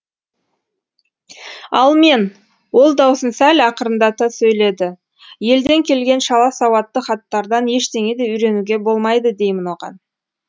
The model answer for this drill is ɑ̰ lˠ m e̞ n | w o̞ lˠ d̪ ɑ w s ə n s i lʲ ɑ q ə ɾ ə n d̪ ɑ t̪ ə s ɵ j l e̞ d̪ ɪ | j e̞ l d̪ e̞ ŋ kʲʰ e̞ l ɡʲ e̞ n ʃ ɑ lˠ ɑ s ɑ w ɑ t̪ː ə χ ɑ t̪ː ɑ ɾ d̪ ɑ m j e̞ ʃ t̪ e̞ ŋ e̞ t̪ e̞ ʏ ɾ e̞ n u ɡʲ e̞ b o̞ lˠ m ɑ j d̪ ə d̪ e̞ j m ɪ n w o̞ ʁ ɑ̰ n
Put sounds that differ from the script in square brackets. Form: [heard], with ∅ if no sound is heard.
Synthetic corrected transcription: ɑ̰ lˠ m e̞ n | w o̞ lˠ d̪ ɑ w s ə n s [æ] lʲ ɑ q ə ɾ ə n d̪ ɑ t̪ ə s ɵ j l e̞ d̪ ɪ | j e̞ l d̪ e̞ ŋ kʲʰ e̞ l ɡʲ e̞ n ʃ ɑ lˠ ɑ s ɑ w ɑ t̪ː ə χ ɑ t̪ː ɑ ɾ d̪ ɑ [n] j e̞ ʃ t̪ e̞ ŋ e̞ [d̪] e̞ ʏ ɾ e̞ n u ɡʲ e̞ b o̞ lˠ m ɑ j d̪ ə d̪ e̞ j m ɪ n w o̞ ʁ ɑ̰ n